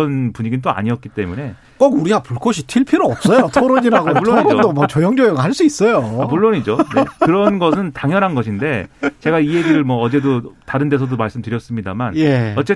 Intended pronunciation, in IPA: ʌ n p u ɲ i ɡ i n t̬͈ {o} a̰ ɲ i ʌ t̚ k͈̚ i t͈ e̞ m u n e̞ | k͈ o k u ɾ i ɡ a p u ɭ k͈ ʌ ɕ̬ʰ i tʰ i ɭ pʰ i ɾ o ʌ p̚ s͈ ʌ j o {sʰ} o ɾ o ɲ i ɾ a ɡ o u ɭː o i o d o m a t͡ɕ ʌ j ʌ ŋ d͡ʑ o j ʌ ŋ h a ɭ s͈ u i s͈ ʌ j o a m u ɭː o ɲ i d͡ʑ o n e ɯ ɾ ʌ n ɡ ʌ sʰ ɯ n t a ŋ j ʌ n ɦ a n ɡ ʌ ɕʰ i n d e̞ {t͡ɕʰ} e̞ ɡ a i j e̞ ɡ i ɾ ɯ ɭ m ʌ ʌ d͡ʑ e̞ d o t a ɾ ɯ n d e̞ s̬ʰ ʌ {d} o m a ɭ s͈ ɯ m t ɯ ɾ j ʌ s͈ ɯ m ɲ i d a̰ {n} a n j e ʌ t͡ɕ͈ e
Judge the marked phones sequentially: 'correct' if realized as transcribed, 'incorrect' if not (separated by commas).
correct, incorrect, incorrect, correct, incorrect